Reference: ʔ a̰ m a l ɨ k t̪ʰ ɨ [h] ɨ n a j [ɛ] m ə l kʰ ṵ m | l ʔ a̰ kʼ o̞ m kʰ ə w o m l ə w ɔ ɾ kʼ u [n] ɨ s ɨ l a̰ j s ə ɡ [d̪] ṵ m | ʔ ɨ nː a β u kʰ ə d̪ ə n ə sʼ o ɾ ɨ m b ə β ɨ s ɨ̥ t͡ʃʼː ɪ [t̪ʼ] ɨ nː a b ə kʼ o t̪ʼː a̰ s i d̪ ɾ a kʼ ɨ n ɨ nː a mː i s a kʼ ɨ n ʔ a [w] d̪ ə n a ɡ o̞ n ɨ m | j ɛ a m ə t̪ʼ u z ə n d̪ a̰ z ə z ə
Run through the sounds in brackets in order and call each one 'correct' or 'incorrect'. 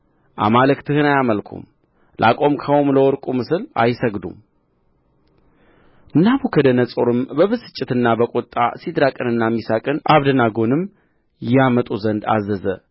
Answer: correct, incorrect: a, incorrect: m, correct, incorrect: t̪, incorrect: β

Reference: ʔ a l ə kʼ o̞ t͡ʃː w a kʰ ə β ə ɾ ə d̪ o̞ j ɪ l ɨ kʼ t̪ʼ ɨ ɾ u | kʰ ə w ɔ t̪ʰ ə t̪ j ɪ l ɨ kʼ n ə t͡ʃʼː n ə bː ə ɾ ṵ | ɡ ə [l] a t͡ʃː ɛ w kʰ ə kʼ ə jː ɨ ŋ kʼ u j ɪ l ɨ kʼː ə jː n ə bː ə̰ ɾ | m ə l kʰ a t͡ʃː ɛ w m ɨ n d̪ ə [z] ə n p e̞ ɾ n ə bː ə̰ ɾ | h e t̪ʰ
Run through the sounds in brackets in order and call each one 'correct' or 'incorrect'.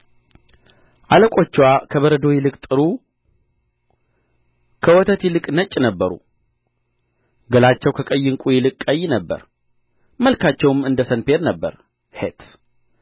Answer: correct, incorrect: s

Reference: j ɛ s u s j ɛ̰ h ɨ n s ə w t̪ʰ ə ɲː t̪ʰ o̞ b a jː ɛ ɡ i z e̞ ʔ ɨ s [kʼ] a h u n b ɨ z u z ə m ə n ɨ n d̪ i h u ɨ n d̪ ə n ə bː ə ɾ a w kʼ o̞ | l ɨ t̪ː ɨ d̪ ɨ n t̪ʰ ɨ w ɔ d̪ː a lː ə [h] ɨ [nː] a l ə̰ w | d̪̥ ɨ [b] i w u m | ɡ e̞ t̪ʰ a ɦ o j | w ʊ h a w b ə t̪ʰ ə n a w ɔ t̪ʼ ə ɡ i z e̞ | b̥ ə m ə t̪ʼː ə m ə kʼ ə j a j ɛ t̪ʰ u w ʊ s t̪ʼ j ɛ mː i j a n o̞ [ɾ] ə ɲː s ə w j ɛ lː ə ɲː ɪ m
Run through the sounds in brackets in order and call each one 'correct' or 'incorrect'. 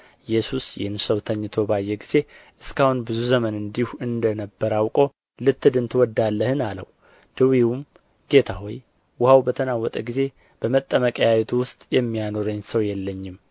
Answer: incorrect: k, correct, incorrect: n, incorrect: w, correct

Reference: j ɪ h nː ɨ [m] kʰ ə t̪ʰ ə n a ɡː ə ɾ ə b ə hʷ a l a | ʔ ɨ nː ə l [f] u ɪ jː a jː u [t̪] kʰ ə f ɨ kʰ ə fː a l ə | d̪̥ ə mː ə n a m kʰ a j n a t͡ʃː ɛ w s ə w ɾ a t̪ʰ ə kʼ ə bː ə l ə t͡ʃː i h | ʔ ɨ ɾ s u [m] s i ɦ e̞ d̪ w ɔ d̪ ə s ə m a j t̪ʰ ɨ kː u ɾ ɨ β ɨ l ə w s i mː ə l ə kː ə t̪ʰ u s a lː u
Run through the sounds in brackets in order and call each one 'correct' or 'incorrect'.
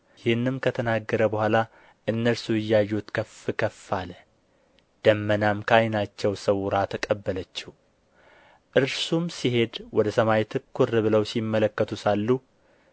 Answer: correct, incorrect: s, correct, correct

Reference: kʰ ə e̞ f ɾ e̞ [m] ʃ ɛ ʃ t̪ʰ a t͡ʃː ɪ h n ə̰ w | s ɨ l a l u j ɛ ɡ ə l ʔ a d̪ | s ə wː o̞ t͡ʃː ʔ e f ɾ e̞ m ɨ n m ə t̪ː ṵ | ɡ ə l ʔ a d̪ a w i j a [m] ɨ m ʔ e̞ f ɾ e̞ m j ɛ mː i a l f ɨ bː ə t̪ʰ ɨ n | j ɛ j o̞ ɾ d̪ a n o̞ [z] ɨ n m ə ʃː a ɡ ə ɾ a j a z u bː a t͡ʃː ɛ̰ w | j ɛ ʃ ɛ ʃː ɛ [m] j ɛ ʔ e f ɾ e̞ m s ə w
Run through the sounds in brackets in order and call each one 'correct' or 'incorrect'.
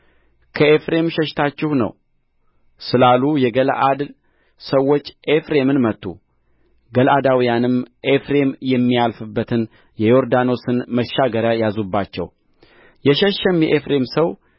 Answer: correct, incorrect: n, incorrect: s, correct

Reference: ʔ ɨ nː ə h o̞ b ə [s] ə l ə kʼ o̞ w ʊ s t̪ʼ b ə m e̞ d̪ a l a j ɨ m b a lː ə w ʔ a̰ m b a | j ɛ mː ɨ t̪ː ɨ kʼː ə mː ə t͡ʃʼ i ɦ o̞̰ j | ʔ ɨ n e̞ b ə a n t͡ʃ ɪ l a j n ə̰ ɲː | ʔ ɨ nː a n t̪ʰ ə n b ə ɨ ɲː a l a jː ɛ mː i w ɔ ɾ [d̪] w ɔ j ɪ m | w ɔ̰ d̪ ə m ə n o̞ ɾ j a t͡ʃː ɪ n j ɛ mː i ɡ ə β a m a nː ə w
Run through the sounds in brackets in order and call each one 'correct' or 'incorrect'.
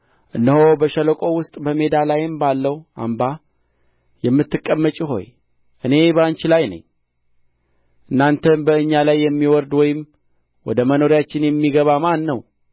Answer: incorrect: ʃ, correct

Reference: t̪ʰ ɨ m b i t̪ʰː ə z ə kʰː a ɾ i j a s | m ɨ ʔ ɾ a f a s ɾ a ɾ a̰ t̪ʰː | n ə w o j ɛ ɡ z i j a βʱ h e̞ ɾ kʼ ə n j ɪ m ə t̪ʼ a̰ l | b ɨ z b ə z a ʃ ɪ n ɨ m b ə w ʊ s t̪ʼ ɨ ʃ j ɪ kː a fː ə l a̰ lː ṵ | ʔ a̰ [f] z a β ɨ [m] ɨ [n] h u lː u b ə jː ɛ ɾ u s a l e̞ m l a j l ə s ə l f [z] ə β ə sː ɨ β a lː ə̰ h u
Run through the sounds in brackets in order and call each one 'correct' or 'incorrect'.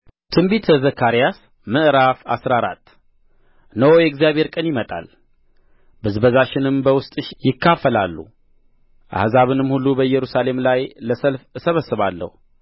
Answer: incorrect: h, incorrect: n, incorrect: m, incorrect: s

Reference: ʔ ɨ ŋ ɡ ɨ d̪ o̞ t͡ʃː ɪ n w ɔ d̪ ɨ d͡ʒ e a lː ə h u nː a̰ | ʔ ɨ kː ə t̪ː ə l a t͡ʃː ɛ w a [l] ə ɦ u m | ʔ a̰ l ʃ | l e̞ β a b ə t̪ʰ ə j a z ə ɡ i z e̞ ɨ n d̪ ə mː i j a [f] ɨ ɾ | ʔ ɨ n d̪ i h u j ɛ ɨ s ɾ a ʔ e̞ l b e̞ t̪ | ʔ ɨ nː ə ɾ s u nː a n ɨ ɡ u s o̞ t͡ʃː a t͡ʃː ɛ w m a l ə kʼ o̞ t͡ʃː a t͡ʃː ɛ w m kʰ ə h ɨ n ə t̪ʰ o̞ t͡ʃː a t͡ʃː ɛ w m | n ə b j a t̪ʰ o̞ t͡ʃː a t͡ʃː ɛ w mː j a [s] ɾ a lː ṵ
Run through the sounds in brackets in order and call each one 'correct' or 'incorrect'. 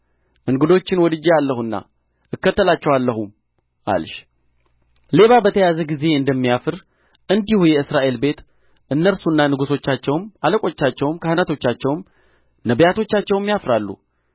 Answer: incorrect: lː, correct, incorrect: f

